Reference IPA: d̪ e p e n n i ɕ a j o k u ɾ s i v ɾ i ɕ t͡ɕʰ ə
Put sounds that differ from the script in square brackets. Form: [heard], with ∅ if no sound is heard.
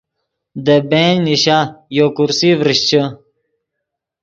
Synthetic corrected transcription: d̪ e [b] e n n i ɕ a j o k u ɾ s i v ɾ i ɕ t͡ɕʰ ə